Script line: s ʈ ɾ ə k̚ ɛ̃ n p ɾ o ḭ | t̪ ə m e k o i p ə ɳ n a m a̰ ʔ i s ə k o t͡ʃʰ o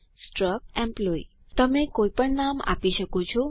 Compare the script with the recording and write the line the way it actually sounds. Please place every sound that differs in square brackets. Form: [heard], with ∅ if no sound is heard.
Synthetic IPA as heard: s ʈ ɾ ə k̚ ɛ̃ [m] p [l] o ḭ | t̪ ə m e k o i p ə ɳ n a m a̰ [p] i [ʃ] ə k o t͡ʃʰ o